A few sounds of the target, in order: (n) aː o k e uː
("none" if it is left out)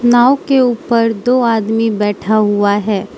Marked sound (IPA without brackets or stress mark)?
n